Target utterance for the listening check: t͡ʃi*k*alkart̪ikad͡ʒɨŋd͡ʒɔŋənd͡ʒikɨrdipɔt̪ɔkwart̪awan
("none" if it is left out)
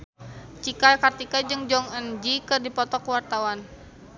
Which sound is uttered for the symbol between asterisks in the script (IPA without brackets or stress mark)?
k